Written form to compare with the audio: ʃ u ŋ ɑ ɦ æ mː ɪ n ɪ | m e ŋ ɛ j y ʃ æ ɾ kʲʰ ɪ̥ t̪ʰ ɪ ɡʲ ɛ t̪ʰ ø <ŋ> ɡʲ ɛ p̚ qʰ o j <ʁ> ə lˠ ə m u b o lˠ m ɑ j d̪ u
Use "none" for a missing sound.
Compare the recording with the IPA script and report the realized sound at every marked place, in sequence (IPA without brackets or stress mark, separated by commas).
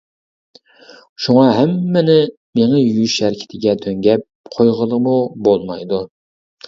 ŋ, ʁ